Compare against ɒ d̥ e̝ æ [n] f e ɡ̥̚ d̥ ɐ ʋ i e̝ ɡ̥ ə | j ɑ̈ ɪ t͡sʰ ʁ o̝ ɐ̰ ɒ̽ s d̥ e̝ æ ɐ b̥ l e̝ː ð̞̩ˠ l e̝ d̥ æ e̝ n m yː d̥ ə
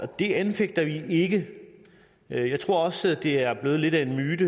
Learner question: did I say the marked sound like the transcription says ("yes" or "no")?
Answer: yes